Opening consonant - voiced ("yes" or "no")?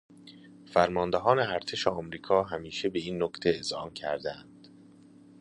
no